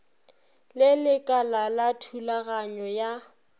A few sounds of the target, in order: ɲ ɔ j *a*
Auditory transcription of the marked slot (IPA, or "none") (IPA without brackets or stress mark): a